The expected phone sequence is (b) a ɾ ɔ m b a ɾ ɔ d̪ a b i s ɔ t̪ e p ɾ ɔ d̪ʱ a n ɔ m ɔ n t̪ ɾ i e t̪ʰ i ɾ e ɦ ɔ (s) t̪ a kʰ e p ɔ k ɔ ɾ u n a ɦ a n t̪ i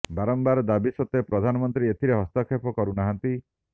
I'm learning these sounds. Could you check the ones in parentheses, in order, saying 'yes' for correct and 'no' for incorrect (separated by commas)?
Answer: yes, yes